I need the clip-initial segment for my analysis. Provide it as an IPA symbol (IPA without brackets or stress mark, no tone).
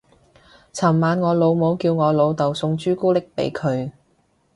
t͡sʰ